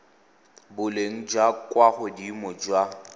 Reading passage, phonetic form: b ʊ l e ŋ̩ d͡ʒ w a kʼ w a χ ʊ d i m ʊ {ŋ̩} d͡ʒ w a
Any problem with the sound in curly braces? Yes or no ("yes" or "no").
yes